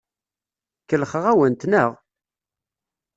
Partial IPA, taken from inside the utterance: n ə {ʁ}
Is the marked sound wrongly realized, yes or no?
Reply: no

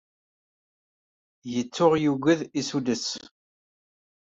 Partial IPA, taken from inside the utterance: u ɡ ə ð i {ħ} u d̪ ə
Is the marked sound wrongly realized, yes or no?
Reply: yes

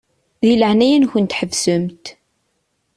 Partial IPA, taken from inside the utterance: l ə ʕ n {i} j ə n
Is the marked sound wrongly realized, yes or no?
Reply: yes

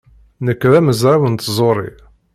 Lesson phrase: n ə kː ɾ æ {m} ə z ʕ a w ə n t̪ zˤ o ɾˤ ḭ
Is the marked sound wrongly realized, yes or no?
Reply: no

